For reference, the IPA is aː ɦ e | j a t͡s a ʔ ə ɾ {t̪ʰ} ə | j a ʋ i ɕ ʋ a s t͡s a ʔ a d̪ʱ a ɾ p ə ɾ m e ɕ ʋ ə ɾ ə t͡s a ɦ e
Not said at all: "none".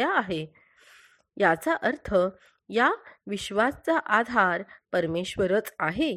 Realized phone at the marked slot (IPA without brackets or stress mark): t̪ʰ